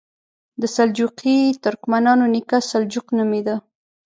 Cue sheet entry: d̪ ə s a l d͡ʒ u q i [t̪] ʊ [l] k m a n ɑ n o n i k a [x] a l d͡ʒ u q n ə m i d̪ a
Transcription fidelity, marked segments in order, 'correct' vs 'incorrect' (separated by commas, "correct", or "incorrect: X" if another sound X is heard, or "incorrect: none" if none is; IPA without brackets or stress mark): correct, incorrect: ɾ, incorrect: s